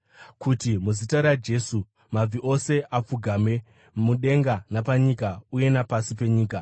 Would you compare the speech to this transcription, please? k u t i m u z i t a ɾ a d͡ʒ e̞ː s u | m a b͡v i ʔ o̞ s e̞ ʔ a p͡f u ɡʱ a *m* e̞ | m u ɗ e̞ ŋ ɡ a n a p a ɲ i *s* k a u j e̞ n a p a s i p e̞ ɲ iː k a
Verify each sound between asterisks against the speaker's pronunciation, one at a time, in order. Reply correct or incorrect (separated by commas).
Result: correct, incorrect